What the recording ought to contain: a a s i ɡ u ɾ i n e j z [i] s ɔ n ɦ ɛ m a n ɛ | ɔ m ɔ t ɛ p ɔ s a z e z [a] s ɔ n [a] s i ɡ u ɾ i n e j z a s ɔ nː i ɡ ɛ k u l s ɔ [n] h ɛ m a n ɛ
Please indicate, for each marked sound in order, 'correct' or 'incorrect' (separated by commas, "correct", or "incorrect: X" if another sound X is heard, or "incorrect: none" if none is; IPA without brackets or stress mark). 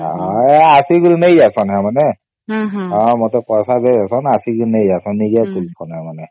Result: incorrect: a, correct, correct, correct